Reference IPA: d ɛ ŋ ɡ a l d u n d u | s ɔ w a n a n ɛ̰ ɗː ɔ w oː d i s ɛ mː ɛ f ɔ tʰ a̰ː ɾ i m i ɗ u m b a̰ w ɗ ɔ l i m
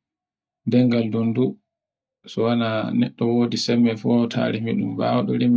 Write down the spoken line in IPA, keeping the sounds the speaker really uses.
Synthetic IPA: d ɛ ŋ ɡ a l d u n d u | s ɔ w a n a n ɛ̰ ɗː ɔ w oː d i s ɛ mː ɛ f ɔ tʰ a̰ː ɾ i m i ɗ u m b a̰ w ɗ ɔ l i m